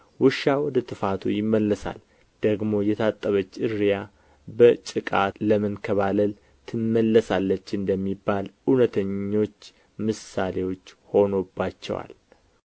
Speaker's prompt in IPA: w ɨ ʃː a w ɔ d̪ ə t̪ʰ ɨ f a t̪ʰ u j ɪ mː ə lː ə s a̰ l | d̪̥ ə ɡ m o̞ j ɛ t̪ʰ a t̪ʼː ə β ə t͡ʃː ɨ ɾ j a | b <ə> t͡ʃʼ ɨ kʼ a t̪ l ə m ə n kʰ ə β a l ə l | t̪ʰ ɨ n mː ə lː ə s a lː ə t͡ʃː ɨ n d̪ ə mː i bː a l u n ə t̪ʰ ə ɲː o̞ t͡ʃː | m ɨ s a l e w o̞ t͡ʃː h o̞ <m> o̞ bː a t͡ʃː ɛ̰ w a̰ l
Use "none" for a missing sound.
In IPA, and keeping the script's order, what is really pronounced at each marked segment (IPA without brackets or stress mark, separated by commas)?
ə, n